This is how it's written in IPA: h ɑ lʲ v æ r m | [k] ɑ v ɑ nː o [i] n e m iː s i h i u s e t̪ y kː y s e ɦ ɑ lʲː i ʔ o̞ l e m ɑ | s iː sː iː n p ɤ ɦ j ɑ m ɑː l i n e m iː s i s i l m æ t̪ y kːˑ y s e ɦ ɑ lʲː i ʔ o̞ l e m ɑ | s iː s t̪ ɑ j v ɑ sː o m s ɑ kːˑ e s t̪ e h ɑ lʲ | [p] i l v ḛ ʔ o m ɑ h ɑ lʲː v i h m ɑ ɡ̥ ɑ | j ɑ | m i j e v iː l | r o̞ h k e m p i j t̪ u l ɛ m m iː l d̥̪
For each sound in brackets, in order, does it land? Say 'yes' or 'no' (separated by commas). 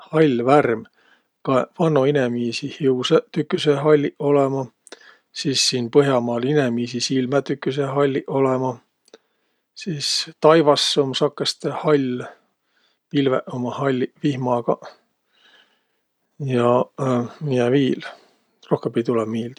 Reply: yes, yes, yes